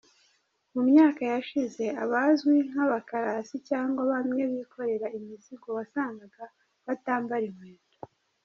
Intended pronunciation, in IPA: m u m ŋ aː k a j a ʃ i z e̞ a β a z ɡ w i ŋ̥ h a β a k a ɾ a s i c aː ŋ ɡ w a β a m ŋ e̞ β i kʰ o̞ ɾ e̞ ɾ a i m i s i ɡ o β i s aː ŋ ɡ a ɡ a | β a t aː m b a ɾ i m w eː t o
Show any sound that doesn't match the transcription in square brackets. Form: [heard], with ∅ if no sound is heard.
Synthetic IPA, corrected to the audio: m u m [ɲ] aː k a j a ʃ i z e̞ a β a z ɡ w i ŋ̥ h a β a k a ɾ a s i c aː ŋ ɡ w a β a m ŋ e̞ β i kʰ o̞ ɾ e̞ ɾ a i m i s i ɡ o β [a] s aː ŋ ɡ a ɡ a | β a t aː m b a ɾ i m w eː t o